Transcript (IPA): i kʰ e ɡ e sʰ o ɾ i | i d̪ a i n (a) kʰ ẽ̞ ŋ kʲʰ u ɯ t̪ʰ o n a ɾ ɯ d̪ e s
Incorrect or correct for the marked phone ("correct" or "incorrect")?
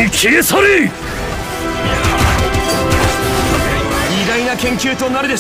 correct